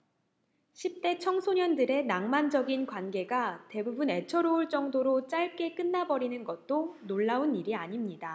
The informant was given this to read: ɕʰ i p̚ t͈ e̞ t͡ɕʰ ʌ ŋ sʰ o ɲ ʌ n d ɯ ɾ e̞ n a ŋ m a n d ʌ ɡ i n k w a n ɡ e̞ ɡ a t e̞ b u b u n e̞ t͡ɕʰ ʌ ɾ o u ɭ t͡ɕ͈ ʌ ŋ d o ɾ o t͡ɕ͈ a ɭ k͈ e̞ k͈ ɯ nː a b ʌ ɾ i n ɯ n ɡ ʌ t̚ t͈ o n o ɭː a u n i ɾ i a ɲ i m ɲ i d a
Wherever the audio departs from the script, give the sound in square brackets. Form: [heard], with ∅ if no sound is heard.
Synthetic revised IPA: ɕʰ i p̚ t͈ e̞ t͡ɕʰ ʌ ŋ sʰ o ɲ ʌ n d ɯ ɾ e̞ n a ŋ m a n [d͡ʑ] ʌ ɡ i n k w a n ɡ e̞ ɡ a t e̞ b u b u n e̞ t͡ɕʰ ʌ ɾ o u ɭ t͡ɕ͈ ʌ ŋ d o ɾ o t͡ɕ͈ a ɭ k͈ e̞ k͈ ɯ nː a b ʌ ɾ i n ɯ n ɡ ʌ t̚ t͈ o n o ɭː a u n i ɾ i a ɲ i m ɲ i d a